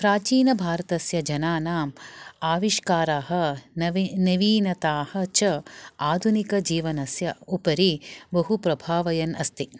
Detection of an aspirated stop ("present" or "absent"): absent